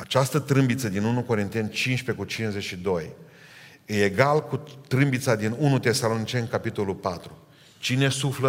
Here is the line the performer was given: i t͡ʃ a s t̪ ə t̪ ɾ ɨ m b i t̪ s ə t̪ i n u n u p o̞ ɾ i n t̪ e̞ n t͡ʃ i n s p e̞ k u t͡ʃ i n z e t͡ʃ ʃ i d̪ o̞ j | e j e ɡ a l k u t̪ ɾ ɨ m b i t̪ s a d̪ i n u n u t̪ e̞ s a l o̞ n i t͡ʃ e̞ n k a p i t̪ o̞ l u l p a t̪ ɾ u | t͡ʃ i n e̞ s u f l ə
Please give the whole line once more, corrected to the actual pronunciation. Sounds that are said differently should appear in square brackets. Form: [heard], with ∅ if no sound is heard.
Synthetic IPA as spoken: [a] t͡ʃ a s t̪ ə t̪ ɾ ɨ m b i t̪ s ə [d̪] i n u n u [k] o̞ ɾ i n t̪ e̞ n t͡ʃ i n [ʃ] p e̞ k u t͡ʃ i n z e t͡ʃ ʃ i d̪ o̞ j | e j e ɡ a l k u t̪ ɾ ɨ m b i t̪ s a d̪ i n u n u t̪ e̞ s a l o̞ n i t͡ʃ e̞ n k a p i t̪ o̞ l u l p a t̪ ɾ u | t͡ʃ i n e̞ s u f l ə